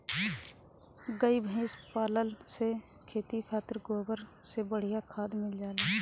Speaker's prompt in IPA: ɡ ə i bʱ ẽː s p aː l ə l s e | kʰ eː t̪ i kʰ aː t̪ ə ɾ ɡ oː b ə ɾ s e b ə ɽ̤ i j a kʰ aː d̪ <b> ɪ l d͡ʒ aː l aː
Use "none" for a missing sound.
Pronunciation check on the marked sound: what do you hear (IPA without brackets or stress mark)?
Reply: m